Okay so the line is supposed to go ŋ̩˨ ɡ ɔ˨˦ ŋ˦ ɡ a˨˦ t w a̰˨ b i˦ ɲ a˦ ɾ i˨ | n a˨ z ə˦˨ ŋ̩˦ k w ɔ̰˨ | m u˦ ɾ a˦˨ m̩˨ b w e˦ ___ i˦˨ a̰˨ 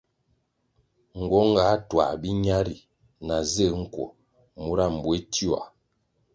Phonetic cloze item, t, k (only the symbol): t